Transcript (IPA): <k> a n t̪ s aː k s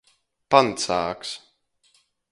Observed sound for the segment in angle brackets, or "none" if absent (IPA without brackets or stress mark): p